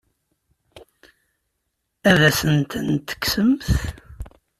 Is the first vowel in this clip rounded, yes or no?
no